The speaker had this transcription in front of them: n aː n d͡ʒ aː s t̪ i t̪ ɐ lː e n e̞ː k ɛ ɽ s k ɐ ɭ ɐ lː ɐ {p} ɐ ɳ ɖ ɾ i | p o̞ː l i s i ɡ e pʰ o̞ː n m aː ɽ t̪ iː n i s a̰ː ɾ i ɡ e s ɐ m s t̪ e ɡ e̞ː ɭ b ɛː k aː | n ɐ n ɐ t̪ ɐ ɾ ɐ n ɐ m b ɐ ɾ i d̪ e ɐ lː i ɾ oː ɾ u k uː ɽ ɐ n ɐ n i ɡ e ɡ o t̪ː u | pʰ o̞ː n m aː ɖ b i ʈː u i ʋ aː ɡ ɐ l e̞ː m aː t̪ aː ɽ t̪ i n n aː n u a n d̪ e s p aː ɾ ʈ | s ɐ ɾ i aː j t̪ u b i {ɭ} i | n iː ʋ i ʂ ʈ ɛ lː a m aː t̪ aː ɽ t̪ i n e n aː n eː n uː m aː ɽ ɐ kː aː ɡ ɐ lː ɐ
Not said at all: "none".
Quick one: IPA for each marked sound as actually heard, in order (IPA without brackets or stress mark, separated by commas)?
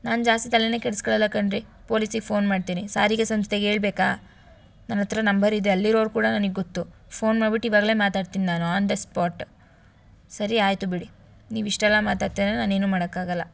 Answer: k, ɽ